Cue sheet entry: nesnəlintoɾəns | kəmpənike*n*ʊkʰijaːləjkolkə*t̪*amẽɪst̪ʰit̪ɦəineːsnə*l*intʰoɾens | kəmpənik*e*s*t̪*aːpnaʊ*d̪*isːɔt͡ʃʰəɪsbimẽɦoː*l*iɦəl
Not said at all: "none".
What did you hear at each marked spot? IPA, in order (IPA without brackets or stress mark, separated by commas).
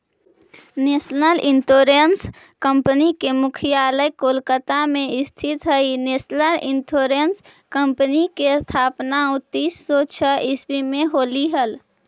m, t̪, l, e, t̪ʰ, t̪, l